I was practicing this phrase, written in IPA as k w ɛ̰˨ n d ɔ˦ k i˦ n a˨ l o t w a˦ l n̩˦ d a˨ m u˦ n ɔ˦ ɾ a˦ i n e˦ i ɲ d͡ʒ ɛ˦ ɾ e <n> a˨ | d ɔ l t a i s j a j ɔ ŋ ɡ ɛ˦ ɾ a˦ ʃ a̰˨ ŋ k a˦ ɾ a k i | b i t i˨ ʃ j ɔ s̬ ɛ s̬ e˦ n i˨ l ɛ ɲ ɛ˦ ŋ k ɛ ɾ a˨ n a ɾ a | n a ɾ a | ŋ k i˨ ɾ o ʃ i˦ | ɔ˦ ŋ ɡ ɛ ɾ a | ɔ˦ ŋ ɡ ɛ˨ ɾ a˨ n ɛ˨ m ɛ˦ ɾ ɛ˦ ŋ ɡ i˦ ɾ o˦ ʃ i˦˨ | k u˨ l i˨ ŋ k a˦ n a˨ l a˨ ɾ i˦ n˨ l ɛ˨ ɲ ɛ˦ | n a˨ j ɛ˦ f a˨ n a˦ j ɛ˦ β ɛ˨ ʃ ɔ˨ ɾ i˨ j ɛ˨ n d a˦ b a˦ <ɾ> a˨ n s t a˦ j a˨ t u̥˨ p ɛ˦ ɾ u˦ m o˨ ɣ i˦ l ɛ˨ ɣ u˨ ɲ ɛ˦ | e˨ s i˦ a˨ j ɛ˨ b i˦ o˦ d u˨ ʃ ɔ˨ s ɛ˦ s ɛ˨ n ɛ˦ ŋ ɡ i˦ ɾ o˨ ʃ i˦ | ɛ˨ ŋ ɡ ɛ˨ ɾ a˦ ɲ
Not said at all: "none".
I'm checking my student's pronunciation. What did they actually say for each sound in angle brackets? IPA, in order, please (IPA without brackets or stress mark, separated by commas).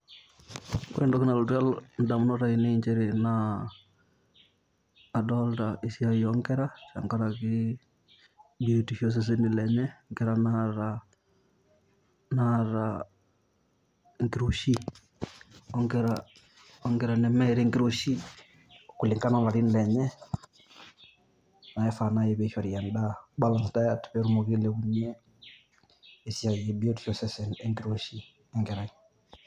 n, l